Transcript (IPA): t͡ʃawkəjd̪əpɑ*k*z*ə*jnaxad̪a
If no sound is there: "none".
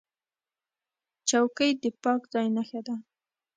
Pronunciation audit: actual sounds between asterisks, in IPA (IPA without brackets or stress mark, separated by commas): k, ɑ